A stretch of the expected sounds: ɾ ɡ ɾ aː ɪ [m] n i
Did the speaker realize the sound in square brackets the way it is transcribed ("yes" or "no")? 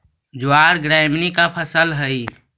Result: yes